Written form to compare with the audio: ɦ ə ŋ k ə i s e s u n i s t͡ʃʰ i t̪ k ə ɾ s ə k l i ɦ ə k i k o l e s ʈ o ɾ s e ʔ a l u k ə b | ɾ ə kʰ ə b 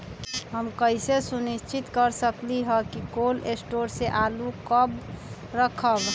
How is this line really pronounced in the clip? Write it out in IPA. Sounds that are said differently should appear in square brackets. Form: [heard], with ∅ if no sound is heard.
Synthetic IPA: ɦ ə [m] k ə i s e s u n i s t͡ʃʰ i t̪ k ə ɾ s ə k l i ɦ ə k i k o l e s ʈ o ɾ s e ʔ a l u k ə b | ɾ ə kʰ ə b